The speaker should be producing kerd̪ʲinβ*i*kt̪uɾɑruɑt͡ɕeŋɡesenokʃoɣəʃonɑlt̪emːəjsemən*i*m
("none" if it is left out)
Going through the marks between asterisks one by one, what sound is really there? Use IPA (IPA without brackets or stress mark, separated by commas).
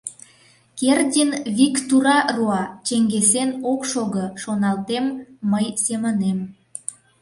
i, e